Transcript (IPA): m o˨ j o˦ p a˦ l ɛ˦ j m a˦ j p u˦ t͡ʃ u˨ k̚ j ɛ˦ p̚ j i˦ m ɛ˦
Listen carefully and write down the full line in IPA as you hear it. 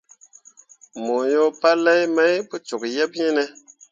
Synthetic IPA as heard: m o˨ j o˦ p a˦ l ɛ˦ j m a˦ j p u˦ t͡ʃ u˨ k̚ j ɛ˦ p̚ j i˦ n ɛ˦